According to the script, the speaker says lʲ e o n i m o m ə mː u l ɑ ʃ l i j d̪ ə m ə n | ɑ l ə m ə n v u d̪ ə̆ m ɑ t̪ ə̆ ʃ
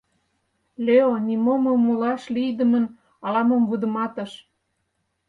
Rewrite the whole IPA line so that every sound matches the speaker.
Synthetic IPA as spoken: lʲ e o n i m o m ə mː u l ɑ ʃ l i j d̪ ə m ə n | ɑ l ɑ m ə m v u d̪ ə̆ m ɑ t̪ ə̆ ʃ